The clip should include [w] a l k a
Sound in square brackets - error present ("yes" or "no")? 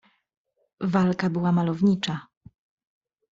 yes